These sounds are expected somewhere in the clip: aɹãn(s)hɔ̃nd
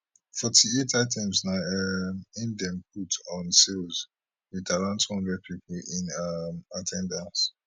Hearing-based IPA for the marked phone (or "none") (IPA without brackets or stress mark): t